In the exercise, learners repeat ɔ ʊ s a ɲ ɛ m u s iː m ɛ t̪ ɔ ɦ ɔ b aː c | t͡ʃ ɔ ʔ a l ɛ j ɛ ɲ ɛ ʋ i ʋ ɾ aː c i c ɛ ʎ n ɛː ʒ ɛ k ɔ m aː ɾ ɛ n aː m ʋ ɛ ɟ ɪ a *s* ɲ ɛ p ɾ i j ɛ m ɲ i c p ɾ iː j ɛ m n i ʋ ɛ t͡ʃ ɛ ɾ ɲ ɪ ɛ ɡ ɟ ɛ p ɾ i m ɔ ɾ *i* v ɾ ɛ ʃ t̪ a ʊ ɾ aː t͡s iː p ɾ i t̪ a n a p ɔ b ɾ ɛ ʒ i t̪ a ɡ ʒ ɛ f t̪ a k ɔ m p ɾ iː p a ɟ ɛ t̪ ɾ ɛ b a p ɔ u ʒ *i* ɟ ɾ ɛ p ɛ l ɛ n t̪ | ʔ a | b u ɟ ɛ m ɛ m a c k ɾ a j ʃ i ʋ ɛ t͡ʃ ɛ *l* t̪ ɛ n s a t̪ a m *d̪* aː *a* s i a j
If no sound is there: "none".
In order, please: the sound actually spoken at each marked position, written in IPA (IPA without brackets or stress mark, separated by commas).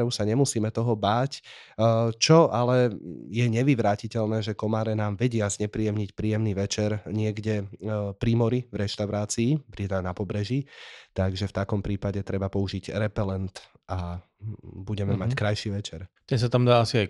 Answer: z, i, i, ɾ, d̪, a